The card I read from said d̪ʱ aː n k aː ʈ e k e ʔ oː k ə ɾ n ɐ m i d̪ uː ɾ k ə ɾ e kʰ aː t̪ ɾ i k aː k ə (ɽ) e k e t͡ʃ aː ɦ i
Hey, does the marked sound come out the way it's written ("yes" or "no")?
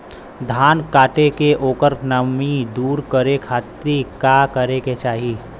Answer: no